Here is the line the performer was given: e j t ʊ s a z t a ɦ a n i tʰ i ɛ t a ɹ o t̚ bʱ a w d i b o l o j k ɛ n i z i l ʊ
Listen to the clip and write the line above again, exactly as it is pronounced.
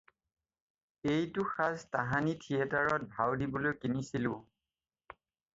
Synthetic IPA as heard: e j t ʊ x a z t a ɦ a n i tʰ i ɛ t a ɹ ɔ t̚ bʱ a w d i b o l o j k i n i s i l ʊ